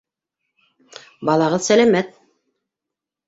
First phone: b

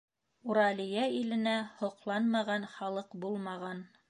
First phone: u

